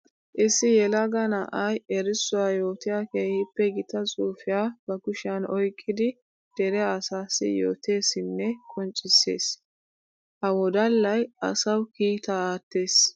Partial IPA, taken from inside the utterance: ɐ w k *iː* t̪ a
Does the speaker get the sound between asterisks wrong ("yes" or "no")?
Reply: no